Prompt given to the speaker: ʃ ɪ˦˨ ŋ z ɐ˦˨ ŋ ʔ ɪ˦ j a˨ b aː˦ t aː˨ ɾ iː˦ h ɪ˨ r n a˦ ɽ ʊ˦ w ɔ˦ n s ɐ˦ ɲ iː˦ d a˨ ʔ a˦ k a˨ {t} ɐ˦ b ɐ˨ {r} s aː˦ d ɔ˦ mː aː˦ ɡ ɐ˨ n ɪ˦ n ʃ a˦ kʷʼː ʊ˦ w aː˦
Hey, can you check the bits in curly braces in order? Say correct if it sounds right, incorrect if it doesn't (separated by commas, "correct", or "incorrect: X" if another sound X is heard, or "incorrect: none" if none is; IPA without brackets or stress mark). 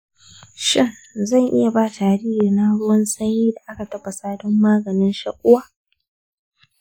correct, incorrect: none